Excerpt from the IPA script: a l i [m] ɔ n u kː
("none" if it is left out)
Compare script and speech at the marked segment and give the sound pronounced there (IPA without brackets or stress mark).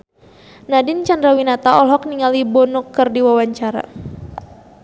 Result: b